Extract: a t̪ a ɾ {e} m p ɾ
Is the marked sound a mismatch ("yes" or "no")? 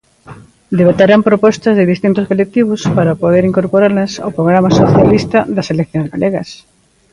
yes